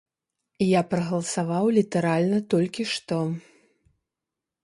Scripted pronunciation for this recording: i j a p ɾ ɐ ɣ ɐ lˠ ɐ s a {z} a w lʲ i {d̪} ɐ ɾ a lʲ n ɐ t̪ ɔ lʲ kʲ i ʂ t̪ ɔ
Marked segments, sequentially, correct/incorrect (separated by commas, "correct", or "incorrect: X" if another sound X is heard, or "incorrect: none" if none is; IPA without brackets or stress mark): incorrect: v, incorrect: t̪